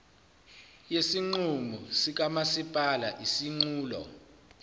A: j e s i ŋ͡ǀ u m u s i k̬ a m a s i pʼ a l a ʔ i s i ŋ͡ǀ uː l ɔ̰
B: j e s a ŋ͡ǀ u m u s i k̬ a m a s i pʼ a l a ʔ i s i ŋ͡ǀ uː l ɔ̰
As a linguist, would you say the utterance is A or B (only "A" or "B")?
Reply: A